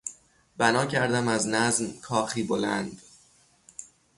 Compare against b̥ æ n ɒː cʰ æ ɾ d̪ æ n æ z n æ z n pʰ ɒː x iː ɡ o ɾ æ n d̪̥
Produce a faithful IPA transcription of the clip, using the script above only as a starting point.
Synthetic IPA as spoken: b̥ æ n ɒː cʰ æ ɾ d̪ æ m æ z n æ z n kʰ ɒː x iː b o l æ n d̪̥